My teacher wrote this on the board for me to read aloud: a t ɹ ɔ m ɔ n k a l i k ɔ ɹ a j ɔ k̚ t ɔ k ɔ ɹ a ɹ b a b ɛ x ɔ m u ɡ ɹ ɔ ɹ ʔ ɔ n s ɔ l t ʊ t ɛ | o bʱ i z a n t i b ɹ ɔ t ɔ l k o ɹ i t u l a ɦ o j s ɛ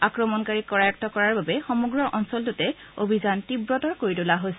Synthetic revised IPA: a k ɹ ɔ m ɔ n k a ɹ i k ɔ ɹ a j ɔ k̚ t ɔ k ɔ ɹ a ɹ b a b ɛ x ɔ m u ɡ ɹ ɔ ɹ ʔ ɔ n s ɔ l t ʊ t ɛ | o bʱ i z a n t i b ɹ ɔ t ɔ ɹ k o ɹ i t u l a ɦ o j s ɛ